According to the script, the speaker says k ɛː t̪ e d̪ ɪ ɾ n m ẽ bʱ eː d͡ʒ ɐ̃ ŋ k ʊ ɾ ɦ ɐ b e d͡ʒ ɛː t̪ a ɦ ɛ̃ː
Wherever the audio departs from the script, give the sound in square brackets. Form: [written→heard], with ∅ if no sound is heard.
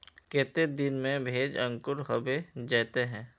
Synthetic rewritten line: k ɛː t̪ e d̪ ɪ [ɾ→∅] n m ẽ bʱ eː d͡ʒ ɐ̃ ŋ k ʊ ɾ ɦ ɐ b e d͡ʒ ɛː t̪ [a→e] ɦ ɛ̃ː